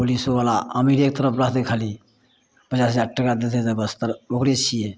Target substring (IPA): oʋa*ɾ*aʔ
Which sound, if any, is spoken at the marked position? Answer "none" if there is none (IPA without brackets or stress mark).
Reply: l